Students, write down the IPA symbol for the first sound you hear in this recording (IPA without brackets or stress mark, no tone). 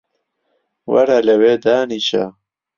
w